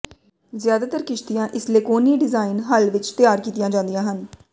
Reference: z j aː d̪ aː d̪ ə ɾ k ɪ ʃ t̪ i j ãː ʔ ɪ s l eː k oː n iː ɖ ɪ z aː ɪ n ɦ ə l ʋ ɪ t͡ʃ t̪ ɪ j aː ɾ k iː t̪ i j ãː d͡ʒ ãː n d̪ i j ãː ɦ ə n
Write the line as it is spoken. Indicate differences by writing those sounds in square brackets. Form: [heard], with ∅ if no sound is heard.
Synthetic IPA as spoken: z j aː d̪ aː [t̪] ə ɾ k ɪ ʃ t̪ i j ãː ʔ ɪ s l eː k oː n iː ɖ ɪ z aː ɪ n ɦ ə l ʋ ɪ t͡ʃ t̪ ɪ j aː ɾ k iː t̪ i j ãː d͡ʒ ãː n d̪ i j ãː ɦ ə n